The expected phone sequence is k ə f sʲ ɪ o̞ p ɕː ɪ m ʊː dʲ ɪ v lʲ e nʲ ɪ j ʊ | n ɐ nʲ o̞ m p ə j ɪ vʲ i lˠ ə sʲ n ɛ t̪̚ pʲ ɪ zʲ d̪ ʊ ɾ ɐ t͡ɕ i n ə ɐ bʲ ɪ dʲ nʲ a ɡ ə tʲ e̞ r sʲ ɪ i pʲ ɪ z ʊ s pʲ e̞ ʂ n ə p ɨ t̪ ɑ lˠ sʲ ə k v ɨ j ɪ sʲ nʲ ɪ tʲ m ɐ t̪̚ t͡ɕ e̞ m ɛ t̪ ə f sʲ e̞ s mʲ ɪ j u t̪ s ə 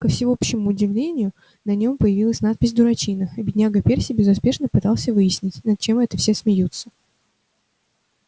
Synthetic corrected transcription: k ə f sʲ ɪ o̞ p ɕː ɪ m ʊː dʲ ɪ v lʲ e nʲ ɪ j ʊ | n ɐ nʲ o̞ m p ə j ɪ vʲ i lˠ ə sʲ n a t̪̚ pʲ ɪ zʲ d̪ ʊ ɾ ɐ t͡ɕ i n ə ɐ bʲ ɪ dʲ nʲ a ɡ ə pʲ e̞ r sʲ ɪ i bʲ ɪ z ʊ s pʲ e̞ ʂ n ə p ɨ t̪ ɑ lˠ sʲ ə v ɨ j ɪ sʲ nʲ ɪ tʲ n ɐ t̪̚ t͡ɕ e̞ m ɛ t̪ ə f sʲ e̞ s mʲ ɪ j u t̪ s ə